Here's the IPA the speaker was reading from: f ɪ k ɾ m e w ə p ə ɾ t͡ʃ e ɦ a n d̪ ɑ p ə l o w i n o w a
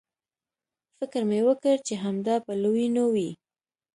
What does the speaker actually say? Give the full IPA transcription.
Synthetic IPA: f ɪ k ɾ m e w ə k ə ɾ t͡ʃ e ɦ a m d̪ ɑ p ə l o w i n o w i

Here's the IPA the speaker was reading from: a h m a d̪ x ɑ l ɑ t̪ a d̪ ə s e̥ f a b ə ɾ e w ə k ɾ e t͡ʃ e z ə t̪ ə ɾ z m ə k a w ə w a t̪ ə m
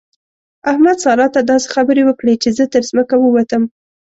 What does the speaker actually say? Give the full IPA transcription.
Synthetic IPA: a h m a d̪ s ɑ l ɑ t̪ a d̪ ɑ s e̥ x a b ə ɾ e w ə k ɽ e t͡ʃ e z ə t̪ ə ɾ z m ə k a w ə w a t̪ ə m

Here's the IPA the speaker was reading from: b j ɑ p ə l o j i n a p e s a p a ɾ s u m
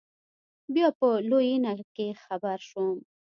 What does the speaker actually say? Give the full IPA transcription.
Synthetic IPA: b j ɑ p ə l o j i n a k e x a b a ɾ ʃ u m

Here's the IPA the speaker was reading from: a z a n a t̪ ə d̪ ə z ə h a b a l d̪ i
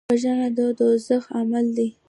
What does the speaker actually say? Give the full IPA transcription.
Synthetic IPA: a ʒ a n a d̪ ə d̪ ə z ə x a m a l d̪ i

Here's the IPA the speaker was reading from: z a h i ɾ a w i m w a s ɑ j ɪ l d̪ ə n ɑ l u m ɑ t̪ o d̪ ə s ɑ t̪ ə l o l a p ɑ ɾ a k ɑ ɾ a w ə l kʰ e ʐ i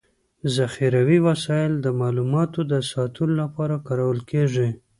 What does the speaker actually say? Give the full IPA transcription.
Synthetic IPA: z a x i ɾ a w i w a s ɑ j ɪ l d̪ ə m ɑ l u m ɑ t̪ o d̪ ə s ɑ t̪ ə l o l a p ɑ ɾ a k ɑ ɾ a w ə l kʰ e ʐ i

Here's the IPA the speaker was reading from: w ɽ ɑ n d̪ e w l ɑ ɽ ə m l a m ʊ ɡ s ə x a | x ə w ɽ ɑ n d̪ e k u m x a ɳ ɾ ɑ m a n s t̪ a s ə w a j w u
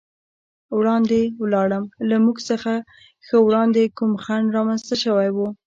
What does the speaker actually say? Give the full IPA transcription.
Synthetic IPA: w ɽ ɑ n d̪ e w l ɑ ɽ ə m l a m u ɡ s ə x a | x ə w ɽ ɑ n d̪ e k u m x a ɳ ɾ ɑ m a n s t̪ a ʃ ə w a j w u

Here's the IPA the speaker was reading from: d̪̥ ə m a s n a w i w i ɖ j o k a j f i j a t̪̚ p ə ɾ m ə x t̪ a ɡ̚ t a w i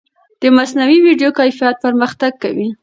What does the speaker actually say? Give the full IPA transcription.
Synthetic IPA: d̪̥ ə m a s n a w i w i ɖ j o k a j f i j a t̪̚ p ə ɾ m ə x t̪ a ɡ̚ k a w i

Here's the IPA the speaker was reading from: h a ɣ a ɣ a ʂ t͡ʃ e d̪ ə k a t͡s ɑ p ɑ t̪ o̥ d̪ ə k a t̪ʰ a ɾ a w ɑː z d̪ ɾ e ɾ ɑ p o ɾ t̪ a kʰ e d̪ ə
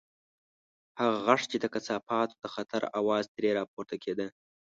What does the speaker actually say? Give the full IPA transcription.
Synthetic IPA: h a ɣ a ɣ a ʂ t͡ʃ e d̪ ə k a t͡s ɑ p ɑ t̪ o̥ d̪ ə x a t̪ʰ a ɾ a w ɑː z d̪ ɾ e ɾ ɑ p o ɾ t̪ a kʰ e d̪ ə

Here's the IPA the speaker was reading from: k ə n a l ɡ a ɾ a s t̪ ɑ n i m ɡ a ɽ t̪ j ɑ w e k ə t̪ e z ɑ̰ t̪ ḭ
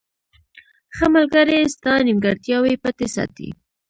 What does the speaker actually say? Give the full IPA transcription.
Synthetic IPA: x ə m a l ɡ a ɾ e s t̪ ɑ n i m ɡ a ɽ t̪ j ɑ w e p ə t̪ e s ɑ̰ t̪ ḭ

